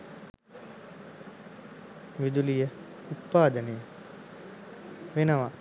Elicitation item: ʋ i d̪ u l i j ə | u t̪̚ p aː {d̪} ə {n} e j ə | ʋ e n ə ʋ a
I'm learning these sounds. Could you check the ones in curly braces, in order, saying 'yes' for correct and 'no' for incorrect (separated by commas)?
yes, yes